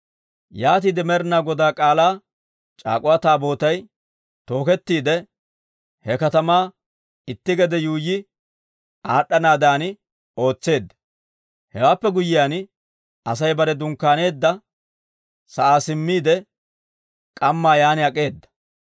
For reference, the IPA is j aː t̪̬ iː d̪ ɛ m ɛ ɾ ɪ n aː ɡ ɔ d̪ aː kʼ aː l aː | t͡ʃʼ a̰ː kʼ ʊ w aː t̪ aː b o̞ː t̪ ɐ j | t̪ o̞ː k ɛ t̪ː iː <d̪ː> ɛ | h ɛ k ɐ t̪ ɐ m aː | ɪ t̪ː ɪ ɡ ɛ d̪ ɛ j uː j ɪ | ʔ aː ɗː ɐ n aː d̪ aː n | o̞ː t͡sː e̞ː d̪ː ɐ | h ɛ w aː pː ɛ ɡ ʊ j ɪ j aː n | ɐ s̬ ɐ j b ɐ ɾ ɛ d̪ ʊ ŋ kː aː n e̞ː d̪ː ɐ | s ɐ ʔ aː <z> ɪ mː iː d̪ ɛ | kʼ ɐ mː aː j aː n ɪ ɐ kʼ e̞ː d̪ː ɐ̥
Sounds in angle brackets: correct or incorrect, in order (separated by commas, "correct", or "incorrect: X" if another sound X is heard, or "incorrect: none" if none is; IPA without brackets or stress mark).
incorrect: d̪, incorrect: s